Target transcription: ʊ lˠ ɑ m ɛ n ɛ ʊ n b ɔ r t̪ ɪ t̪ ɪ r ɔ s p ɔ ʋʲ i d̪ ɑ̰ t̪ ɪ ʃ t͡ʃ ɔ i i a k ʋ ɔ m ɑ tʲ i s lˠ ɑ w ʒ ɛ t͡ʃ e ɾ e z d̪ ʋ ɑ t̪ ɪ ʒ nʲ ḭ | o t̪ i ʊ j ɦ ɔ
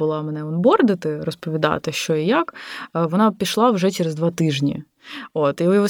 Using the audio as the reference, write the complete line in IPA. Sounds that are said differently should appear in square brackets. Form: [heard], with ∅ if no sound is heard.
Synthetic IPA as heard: ʊ lˠ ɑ m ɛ n ɛ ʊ n b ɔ r [d̪] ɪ t̪ ɪ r ɔ s p ɔ ʋʲ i d̪ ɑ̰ t̪ ɪ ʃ t͡ʃ ɔ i [j] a k ʋ ɔ [n] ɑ [pʲ] i [ʃ] lˠ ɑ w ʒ ɛ t͡ʃ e ɾ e z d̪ ʋ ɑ t̪ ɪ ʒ nʲ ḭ | o t̪ i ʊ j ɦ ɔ